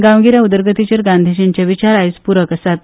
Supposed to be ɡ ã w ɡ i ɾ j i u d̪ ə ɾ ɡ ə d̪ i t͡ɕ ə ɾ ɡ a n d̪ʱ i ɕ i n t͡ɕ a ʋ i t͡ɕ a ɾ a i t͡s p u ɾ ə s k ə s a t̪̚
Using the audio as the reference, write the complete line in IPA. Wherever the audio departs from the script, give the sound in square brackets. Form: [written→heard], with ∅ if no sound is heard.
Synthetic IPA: ɡ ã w ɡ i ɾ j [i→a] u d̪ ə ɾ ɡ ə [d̪→t̪] i t͡ɕ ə ɾ ɡ a n d̪ʱ i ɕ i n t͡ɕ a ʋ i t͡ɕ a ɾ a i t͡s p u ɾ ə [s→∅] k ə s a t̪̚